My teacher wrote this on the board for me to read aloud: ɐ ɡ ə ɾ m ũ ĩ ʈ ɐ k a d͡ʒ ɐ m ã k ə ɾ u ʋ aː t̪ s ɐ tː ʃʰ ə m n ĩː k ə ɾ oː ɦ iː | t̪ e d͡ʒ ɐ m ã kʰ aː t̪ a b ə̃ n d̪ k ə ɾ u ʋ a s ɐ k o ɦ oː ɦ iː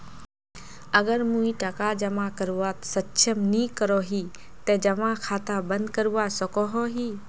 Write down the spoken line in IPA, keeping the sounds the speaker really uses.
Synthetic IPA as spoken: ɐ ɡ ə ɾ m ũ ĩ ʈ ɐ k a d͡ʒ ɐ m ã k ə ɾ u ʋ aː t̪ s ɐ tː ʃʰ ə m n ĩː k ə ɾ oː ɦ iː | t̪ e d͡ʒ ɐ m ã kʰ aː t̪ a b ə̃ n d̪ k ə ɾ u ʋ a s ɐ k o ɦ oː ɦ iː